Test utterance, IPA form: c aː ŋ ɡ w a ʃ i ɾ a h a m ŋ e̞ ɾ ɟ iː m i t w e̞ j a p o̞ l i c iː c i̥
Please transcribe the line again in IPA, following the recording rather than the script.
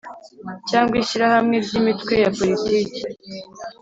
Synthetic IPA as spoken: c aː ŋ ɡ w i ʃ i ɾ a h a m ŋ e̞ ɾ ɟ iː m i t w e̞ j a p o̞ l i t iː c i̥